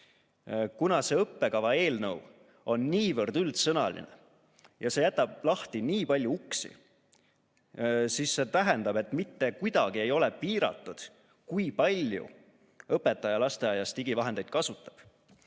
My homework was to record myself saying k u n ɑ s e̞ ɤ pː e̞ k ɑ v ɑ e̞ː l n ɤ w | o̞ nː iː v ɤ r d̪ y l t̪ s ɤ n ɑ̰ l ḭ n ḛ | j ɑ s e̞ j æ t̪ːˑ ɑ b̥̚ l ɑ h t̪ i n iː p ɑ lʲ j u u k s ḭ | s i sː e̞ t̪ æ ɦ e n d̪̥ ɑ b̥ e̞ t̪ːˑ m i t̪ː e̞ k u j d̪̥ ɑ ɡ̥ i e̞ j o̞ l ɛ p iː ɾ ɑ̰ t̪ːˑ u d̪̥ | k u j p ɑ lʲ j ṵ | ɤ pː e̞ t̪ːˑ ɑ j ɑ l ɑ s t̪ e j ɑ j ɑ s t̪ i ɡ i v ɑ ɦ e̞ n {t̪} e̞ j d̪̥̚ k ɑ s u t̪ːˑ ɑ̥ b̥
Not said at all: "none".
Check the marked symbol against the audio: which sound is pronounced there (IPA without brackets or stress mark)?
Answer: d̪